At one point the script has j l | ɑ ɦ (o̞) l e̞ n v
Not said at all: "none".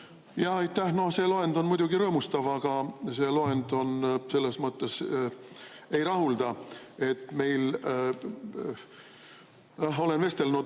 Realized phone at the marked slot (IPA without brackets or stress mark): o̞